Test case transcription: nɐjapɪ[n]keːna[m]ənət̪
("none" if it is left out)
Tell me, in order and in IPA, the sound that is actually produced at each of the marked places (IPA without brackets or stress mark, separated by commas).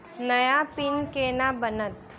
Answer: n, b